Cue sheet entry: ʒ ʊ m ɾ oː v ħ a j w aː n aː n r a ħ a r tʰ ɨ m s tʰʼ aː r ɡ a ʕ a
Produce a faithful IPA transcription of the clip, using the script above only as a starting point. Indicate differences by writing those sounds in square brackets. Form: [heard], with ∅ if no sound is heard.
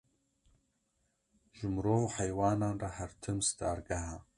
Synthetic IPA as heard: ʒ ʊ m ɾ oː v ħ a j w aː n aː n r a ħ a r tʰ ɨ m s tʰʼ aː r ɡ a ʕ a